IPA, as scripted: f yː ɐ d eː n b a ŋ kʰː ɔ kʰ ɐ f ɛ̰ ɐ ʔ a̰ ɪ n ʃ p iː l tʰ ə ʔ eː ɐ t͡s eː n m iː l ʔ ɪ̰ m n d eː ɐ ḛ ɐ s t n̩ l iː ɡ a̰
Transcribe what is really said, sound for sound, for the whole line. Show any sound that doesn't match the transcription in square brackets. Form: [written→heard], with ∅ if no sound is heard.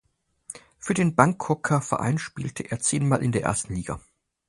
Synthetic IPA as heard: f yː ɐ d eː n b a ŋ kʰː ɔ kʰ ɐ f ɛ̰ ɐ ʔ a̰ ɪ n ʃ p iː l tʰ ə ʔ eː ɐ t͡s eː n m [iː→aː] l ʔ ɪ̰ [m→∅] n d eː ɐ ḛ ɐ s t n̩ l iː ɡ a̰